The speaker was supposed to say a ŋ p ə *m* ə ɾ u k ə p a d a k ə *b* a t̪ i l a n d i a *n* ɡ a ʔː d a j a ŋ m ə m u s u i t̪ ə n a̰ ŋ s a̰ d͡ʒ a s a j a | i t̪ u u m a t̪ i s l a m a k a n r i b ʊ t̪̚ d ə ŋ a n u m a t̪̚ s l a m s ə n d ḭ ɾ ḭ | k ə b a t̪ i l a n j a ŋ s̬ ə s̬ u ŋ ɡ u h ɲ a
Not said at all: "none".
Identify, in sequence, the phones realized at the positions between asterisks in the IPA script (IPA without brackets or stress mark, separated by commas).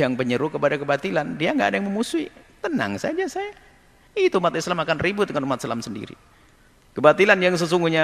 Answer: ɲ, b, ŋ